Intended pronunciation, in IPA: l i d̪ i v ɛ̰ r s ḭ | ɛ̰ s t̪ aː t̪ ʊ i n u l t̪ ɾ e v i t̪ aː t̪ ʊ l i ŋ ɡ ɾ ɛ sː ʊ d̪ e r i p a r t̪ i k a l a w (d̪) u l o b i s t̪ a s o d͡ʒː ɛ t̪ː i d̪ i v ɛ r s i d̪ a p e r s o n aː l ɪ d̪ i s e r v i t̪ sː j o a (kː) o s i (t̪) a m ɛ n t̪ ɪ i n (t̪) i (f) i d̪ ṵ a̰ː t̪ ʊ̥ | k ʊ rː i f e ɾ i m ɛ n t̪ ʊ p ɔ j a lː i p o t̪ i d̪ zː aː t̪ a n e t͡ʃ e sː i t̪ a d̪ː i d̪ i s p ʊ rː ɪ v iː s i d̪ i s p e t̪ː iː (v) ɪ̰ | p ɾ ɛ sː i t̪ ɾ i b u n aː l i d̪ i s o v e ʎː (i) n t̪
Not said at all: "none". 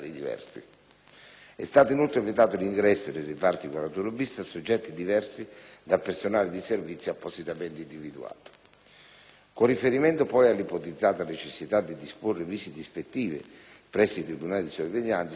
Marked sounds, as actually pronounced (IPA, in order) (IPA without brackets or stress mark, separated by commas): t̪, pː, t̪, d̪, v, v, a